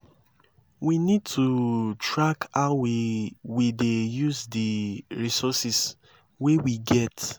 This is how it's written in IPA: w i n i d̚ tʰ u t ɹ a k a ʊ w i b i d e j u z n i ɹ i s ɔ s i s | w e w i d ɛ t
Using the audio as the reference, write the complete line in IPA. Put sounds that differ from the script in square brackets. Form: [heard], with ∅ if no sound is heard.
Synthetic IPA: w i n i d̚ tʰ u t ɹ a k a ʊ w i [w] i d e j u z [d] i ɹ i s ɔ s i s | w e w i [ɡ] ɛ t